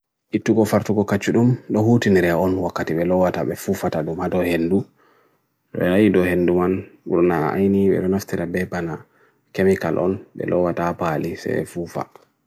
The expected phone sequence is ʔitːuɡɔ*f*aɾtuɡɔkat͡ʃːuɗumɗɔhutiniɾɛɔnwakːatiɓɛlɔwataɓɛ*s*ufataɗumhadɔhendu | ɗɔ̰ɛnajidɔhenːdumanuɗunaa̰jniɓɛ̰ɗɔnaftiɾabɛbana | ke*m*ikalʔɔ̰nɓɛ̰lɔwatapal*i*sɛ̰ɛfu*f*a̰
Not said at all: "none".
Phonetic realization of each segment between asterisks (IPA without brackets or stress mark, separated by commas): f, f, m, i, f